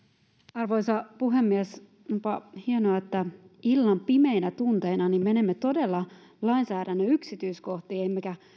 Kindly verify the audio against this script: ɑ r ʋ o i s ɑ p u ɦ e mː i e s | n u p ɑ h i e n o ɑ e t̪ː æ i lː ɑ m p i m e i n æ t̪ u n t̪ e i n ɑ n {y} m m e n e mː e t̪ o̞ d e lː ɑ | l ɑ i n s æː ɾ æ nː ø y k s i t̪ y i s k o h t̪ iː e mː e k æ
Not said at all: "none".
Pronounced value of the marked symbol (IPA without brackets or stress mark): i